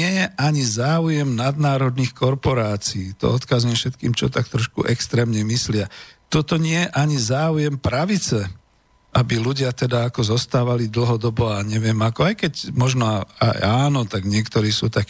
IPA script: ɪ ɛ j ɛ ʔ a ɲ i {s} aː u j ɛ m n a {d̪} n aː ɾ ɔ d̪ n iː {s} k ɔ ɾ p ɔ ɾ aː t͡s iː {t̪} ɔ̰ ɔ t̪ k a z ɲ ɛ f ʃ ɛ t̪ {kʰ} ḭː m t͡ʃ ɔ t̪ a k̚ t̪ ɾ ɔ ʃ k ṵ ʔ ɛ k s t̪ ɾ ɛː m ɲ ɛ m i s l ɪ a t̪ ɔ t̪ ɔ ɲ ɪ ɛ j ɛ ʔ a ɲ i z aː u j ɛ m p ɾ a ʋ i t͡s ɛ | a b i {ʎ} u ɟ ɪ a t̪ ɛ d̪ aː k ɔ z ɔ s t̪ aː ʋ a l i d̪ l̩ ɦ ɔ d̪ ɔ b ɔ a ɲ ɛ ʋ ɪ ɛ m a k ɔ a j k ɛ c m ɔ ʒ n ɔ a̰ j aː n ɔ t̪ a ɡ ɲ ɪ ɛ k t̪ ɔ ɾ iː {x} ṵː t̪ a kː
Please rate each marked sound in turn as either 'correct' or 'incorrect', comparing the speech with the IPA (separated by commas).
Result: incorrect, correct, incorrect, correct, incorrect, incorrect, incorrect